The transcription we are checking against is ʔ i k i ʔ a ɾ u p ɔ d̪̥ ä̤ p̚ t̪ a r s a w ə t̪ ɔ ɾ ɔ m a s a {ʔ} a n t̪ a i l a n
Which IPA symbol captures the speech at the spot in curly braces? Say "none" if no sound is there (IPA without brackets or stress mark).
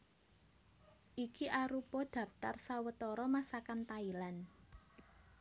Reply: k